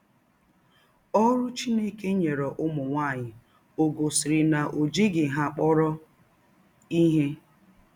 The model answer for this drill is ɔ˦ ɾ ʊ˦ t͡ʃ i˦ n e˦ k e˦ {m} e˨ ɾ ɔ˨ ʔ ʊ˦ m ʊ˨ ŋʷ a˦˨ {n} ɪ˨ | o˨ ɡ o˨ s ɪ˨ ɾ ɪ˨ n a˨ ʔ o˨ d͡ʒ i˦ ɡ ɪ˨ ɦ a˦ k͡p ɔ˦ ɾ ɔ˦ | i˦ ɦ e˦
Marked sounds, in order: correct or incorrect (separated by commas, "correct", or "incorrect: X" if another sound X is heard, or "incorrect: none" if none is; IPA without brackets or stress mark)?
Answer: incorrect: ɲ, incorrect: ɲ